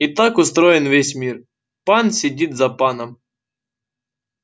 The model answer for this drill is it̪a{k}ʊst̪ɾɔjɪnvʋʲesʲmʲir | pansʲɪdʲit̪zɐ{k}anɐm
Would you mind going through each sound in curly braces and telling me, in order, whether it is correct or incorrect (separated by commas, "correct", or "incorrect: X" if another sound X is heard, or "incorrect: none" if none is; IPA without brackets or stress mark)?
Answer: correct, incorrect: p